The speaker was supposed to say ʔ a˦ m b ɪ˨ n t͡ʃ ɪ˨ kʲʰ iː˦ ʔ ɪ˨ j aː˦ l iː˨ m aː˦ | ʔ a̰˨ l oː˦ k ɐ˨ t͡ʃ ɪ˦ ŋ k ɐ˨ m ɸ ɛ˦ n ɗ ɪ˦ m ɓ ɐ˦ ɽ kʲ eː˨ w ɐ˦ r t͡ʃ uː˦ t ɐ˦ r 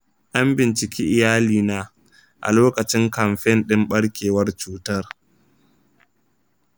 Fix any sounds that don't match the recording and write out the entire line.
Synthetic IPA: ʔ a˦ m b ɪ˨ n t͡ʃ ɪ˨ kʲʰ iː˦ ʔ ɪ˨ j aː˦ l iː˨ n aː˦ | ʔ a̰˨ l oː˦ k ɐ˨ t͡ʃ ɪ˦ ŋ k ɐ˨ m ɸ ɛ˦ n ɗ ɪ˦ m ɓ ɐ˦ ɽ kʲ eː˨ w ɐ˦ r t͡ʃ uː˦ t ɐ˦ r

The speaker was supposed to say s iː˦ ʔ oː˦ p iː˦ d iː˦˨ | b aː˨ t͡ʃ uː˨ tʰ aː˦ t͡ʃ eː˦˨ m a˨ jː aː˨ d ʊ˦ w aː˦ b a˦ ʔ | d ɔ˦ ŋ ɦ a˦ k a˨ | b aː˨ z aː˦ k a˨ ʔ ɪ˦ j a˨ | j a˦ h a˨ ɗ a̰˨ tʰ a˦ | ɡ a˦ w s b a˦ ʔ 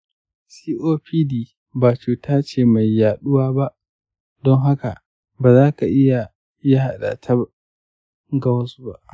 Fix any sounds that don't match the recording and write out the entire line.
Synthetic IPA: s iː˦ ʔ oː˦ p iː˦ d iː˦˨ | b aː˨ t͡ʃ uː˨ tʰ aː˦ t͡ʃ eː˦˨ m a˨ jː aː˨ ɗ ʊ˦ w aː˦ b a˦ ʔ | d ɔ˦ ŋ ɦ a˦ k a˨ | b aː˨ z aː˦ k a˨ ʔ ɪ˦ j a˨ | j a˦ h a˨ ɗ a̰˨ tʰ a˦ | ɡ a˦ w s b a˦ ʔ

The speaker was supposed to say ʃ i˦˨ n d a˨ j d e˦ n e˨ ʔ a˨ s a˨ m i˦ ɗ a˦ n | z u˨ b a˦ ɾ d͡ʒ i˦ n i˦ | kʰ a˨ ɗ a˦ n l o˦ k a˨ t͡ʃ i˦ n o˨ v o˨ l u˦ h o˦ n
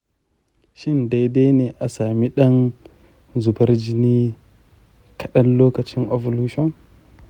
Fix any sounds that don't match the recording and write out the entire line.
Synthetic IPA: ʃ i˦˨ n d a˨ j d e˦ n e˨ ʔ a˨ s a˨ m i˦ ɗ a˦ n | z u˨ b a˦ ɾ d͡ʒ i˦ n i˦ | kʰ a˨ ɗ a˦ n l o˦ k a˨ t͡ʃ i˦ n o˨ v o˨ l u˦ ʃ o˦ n

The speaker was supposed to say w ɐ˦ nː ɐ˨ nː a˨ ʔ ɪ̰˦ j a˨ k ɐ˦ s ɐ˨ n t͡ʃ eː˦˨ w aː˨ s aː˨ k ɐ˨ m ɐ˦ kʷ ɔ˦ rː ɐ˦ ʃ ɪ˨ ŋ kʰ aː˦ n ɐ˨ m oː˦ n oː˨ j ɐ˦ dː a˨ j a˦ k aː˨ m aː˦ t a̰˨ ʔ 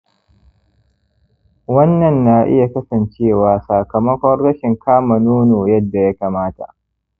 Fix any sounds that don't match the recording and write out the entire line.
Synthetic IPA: w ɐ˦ nː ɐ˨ nː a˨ ʔ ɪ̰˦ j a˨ k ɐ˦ s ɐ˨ n t͡ʃ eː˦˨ w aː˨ s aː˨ k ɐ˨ m ɐ˦ kʷ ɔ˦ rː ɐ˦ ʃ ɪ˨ ŋ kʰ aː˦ m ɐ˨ n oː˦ n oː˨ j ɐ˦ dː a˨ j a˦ k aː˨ m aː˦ t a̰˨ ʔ

